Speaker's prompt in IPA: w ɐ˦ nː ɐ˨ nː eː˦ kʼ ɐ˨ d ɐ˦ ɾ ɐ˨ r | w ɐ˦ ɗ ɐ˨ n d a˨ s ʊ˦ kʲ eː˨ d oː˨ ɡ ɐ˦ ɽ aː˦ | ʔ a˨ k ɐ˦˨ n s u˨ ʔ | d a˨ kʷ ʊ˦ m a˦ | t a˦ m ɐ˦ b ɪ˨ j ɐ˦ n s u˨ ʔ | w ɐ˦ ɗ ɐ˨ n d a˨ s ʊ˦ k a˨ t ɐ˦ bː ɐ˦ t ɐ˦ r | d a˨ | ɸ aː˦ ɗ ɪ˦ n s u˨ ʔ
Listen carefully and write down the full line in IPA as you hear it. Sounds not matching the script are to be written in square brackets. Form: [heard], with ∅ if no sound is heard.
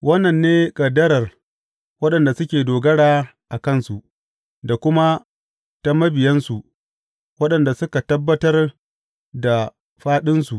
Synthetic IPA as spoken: w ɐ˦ nː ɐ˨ nː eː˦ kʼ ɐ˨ d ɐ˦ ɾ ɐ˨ r | w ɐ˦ ɗ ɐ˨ n d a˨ s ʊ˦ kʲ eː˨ d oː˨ ɡ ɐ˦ ɽ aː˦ | ʔ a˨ k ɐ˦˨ n s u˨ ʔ | d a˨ kʷ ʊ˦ m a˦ | t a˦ m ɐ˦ b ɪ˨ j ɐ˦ n s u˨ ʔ | w ɐ˦ ɗ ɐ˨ n d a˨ s ʊ˦ k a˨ t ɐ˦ bː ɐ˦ t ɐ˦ r | d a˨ | ɸ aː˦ ɗ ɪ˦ n s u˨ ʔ

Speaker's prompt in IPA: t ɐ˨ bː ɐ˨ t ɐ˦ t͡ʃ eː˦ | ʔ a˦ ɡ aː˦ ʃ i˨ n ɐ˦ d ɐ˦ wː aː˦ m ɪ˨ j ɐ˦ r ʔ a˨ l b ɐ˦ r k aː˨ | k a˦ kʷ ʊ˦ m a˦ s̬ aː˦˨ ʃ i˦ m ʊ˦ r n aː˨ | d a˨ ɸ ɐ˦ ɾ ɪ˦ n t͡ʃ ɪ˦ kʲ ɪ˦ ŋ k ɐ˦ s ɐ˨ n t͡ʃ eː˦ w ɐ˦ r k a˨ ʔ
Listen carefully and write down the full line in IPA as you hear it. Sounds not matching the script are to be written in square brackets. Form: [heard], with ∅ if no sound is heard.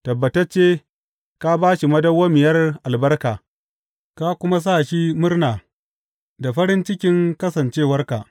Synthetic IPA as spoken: t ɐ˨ bː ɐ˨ t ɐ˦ t͡ʃ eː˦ | [k] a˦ [b] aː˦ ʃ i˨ [m] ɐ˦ d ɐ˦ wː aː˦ m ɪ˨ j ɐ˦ r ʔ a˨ l b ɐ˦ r k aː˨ | k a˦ kʷ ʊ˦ m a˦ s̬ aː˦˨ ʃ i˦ m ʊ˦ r n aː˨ | d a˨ ɸ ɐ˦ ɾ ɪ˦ n t͡ʃ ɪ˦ kʲ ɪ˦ ŋ k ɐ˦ s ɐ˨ n t͡ʃ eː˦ w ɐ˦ r k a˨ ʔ

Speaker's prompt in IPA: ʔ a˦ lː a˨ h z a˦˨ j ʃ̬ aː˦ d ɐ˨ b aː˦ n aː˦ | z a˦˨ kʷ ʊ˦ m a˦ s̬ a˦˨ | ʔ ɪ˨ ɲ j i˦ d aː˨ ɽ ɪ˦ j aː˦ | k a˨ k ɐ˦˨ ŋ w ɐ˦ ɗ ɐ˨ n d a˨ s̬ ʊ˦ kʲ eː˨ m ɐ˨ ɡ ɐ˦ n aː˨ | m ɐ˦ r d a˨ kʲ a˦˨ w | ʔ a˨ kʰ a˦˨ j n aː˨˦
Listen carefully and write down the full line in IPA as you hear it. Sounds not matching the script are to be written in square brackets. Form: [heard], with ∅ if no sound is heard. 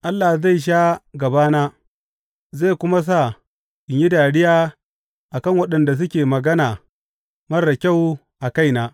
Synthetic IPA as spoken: ʔ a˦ lː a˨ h z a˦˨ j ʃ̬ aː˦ [ɡ] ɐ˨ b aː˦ n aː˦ | z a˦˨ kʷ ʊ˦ m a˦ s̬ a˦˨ | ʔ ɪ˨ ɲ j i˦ d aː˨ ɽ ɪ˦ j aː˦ | [ʔ] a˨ k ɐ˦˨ ŋ w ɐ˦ ɗ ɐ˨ n d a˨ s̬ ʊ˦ kʲ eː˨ m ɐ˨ ɡ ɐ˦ n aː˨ | m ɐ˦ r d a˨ kʲ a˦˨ w | ʔ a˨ [k] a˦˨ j n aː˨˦

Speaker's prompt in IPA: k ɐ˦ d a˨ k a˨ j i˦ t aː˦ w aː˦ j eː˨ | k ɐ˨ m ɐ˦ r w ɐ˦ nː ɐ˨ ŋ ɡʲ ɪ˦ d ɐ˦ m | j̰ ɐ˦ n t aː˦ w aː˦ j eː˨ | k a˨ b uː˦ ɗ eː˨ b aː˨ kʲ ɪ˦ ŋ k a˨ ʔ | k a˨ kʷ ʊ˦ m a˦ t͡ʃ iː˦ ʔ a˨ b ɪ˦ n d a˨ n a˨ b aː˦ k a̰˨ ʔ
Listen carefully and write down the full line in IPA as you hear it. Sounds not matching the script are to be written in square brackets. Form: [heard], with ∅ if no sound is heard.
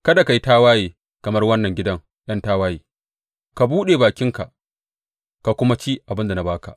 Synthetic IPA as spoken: k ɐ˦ d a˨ k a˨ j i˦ t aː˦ w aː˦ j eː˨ | k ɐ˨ m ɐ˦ r w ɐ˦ nː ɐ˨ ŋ ɡʲ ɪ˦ d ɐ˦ [ŋ] | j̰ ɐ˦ n t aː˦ w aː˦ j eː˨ | k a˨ b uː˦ ɗ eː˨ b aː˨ kʲ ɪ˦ ŋ k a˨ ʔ | k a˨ kʷ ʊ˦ m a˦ t͡ʃ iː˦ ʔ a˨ b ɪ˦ n d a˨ n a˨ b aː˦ k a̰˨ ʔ

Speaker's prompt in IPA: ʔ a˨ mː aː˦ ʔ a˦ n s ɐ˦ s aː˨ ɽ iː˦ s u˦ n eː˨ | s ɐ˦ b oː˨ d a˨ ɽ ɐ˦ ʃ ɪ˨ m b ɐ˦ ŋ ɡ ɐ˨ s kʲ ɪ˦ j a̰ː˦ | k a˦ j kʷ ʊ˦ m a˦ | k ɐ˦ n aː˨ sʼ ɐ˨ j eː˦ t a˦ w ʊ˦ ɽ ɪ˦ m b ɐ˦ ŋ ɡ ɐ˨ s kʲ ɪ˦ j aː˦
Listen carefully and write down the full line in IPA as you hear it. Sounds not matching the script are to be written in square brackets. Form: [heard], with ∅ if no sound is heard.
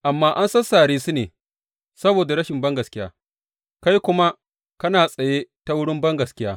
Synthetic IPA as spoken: ʔ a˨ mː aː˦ ʔ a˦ n s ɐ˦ s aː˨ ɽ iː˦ s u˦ n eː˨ | s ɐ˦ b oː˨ d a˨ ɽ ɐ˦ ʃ ɪ˨ m b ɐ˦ ŋ ɡ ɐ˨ s kʲ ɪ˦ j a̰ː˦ | k a˦ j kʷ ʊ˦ m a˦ | k ɐ˦ n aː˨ sʼ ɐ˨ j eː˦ t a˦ w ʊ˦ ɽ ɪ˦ m b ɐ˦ ŋ ɡ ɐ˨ s kʲ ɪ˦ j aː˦

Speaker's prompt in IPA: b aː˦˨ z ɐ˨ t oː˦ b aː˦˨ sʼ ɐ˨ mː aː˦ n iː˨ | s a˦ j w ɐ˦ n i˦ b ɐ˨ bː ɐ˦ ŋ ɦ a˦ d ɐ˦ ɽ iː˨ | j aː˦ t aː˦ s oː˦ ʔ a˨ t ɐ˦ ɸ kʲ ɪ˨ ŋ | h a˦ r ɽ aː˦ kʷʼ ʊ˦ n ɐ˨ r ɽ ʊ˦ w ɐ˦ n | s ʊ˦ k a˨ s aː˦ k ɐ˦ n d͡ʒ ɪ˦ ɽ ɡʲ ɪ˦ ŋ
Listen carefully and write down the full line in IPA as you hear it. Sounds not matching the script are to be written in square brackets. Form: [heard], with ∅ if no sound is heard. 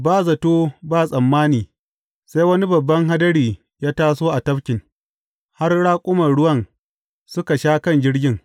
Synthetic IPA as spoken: b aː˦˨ z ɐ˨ t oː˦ b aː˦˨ sʼ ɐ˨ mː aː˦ n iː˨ | s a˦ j w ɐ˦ n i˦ b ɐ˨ bː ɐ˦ ŋ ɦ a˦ d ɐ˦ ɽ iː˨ | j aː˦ t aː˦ s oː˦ ʔ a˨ t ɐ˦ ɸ kʲ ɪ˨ ŋ | h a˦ r ɽ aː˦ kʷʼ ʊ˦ [m] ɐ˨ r ɽ ʊ˦ w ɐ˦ n | s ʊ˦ k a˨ [ʃ] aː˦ k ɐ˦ n d͡ʒ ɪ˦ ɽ ɡʲ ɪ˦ ŋ

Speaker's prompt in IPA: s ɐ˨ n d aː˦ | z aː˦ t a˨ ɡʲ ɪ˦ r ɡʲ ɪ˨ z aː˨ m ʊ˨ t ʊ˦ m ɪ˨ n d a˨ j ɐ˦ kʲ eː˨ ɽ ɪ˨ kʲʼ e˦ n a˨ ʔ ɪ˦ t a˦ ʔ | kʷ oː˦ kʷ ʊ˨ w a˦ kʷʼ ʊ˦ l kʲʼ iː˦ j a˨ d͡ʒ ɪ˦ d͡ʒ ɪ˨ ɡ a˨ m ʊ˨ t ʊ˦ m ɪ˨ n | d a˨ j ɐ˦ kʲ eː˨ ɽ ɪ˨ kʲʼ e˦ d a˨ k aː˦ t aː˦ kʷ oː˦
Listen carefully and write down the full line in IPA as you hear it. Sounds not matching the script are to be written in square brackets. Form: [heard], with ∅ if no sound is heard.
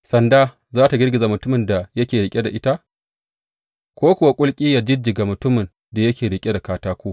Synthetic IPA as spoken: s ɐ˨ n d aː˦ | z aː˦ t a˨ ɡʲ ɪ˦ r ɡʲ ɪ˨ z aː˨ m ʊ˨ t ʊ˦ m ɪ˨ n d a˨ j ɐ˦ kʲ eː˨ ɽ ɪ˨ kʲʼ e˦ [d] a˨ ʔ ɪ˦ t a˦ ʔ | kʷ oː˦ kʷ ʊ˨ w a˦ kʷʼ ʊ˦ l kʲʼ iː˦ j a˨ d͡ʒ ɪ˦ d͡ʒ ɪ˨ ɡ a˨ m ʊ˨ t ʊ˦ m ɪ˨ n | d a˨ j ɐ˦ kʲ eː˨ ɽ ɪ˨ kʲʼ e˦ d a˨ k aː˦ t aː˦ kʷ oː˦

